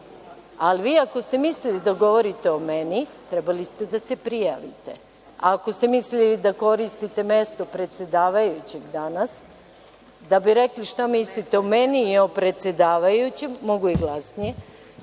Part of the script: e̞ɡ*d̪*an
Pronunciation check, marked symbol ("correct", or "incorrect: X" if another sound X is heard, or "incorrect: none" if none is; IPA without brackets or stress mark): correct